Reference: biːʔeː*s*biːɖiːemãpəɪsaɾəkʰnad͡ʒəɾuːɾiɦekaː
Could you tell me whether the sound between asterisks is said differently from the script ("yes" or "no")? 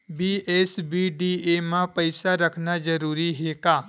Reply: no